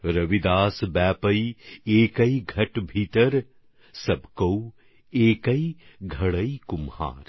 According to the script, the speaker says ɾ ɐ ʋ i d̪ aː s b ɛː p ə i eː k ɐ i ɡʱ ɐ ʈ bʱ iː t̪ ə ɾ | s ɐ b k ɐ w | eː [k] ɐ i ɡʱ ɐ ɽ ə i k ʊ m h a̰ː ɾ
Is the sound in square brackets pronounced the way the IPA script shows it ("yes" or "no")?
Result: yes